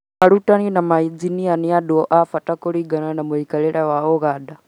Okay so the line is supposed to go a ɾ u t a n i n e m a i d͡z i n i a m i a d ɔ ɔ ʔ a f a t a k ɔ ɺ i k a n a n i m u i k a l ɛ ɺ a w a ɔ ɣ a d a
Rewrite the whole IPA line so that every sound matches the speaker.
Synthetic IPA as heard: a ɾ u t a n i n a m a i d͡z i n i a n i a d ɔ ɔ ʔ a f a t a k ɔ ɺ i ɡ a n a n a m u i k a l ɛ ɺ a w a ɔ ɣ a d a

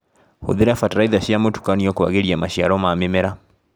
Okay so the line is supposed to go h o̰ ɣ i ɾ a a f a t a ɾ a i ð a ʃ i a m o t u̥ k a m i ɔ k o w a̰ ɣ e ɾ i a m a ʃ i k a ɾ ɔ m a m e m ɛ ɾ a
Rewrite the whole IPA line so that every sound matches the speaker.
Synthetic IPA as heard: h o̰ ð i ɾ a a f a t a ɾ a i ð a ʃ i a m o t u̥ k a n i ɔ k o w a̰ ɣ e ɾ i a m a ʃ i a ɾ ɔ m a m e m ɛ ɾ a

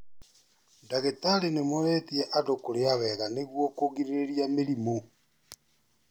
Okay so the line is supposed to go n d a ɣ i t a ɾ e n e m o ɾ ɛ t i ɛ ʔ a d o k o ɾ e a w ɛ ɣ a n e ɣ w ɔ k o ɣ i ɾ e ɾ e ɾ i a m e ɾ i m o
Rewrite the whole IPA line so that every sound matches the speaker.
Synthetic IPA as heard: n d a ɣ e t a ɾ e n e m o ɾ ɛ t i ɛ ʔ a d o k o ɾ e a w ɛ ɣ a n e ɣ w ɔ k o ɣ i ɾ e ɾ e ɾ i a m e ɾ i m o

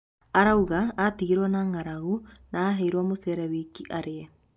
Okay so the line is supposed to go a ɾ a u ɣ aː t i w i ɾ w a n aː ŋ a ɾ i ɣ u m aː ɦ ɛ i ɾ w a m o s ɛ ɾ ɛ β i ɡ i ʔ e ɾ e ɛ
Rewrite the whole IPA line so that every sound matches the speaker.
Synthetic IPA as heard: a ɾ a u ɣ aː t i ɣ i ɾ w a n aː ŋ a ɾ a ɣ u n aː ɦ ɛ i ɾ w a m o s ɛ ɾ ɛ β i k i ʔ a ɾ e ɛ

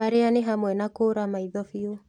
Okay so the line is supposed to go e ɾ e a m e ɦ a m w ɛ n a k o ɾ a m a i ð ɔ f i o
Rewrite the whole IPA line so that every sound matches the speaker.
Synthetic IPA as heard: a ɾ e a n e ɦ a m w ɛ n a k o ɾ a m a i ð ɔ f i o

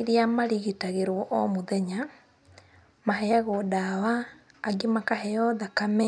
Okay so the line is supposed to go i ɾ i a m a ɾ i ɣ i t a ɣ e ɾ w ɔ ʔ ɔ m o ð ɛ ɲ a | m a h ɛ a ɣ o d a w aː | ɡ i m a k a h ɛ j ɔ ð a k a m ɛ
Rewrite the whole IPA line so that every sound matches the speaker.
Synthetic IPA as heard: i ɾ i a m a ɾ i ɣ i t a ɣ e ɾ w ɔ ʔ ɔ m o ð ɛ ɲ a | m a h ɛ a ɣ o d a w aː | ɡ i m a k a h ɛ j ɔ ð a k a m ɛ

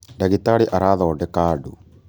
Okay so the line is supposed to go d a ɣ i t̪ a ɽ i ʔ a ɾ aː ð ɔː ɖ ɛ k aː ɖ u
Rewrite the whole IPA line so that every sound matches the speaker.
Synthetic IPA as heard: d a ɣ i t̪ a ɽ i ʔ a ɾ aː ð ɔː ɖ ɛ k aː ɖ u

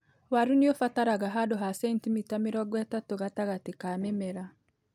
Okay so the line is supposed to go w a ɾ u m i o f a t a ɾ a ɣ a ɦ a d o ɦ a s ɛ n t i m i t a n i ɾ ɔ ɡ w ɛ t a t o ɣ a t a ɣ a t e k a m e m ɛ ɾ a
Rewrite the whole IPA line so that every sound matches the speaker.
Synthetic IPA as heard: w a ɾ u n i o f a t a ɾ a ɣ a ɦ a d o ɦ a s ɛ n t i m i t a m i ɾ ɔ ɡ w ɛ t a t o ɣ a t a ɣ a t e k a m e m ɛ ɾ a

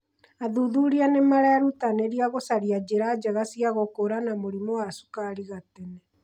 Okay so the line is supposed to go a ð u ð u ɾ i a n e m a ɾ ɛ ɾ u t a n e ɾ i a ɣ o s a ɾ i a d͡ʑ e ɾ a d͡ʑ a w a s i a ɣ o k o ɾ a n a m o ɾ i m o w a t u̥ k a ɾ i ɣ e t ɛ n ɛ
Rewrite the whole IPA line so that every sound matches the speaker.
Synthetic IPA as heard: a ð u ð u ɾ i a n e m a ɾ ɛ ɾ u t a n e ɾ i a ɣ o s a ɾ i a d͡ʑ e ɾ a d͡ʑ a ɣ a s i a ɣ o k o ɾ a n a m o ɾ i m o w a s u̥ k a ɾ i ɣ a t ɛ n ɛ

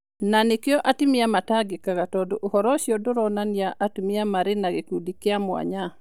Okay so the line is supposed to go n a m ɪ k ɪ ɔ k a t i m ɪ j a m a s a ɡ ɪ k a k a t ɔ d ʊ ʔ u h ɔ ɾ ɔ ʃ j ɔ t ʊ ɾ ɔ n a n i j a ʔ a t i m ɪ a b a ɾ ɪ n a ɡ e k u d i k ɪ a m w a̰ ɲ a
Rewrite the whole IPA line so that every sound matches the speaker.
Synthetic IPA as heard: n a n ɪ k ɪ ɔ ʔ a t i m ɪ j a m a t a ɡ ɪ k a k a t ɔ d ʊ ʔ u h ɔ ɾ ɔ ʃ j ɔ d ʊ ɾ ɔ n a n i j a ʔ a t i m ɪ a m a ɾ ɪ n a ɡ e k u d i k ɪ a m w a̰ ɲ a

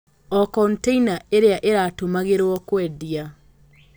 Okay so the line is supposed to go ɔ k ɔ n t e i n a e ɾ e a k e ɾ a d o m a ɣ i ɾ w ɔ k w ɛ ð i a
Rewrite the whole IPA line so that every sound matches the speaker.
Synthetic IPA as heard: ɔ k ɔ n t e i n a e ɾ e a ʔ e ɾ a t o m a ɣ e ɾ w ɔ k w ɛ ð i a

